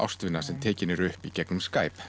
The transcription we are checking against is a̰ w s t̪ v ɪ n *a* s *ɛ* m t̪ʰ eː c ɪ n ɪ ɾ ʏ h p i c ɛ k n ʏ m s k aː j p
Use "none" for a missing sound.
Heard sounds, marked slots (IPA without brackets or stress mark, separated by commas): a, ɛ